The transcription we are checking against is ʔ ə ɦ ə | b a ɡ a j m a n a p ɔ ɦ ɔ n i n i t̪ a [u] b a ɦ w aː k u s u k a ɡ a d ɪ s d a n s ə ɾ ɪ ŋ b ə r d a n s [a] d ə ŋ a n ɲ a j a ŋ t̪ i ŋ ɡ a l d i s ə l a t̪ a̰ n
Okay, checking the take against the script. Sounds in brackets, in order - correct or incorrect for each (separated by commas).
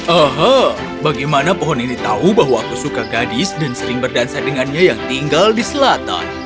correct, correct